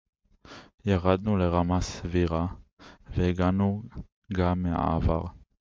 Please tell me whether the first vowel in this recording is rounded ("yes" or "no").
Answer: no